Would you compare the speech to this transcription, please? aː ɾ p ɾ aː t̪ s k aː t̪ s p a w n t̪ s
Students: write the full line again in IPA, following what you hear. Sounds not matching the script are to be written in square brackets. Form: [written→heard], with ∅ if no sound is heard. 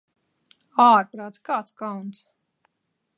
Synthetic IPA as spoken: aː ɾ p ɾ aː t̪ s k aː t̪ s [p→k] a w n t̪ s